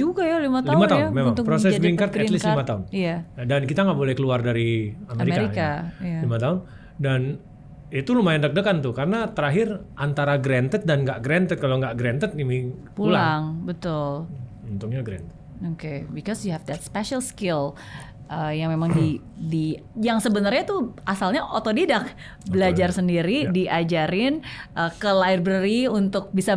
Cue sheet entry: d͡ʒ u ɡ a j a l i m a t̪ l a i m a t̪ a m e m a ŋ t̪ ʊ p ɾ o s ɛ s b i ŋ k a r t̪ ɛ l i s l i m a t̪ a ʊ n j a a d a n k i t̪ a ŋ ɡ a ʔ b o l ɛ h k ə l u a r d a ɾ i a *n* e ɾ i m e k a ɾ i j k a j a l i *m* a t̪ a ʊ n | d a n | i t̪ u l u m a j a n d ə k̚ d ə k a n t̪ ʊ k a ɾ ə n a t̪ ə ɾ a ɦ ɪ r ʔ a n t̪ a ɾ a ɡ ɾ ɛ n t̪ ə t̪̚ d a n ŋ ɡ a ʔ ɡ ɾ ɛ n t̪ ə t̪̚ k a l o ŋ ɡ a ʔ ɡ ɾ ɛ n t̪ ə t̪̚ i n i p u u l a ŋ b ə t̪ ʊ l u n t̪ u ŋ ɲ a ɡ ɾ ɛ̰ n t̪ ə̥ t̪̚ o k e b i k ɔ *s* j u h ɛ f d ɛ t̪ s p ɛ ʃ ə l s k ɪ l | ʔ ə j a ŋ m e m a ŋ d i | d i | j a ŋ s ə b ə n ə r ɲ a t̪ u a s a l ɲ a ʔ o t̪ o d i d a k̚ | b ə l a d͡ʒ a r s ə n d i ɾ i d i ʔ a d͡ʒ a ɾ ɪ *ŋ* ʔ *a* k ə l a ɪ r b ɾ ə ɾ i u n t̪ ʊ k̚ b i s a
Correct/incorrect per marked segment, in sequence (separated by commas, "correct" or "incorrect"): incorrect, correct, correct, incorrect, incorrect